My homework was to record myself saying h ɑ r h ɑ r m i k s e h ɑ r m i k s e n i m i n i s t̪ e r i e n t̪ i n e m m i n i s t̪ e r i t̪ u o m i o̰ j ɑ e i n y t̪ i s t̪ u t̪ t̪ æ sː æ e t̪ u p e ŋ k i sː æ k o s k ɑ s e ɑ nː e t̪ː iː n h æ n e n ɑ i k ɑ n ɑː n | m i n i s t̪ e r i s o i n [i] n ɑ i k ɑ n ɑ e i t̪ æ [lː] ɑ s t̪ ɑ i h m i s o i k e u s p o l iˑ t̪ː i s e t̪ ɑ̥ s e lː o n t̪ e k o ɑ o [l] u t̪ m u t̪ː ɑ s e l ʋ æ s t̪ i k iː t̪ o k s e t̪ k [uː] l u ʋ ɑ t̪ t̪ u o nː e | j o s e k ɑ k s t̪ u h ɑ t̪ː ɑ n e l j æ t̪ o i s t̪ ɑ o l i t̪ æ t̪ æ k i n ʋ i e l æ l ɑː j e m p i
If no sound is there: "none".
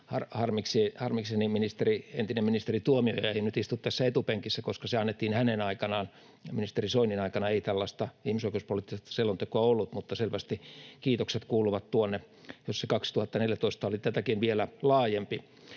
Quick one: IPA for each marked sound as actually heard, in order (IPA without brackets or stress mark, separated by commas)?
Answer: i, lː, lː, uː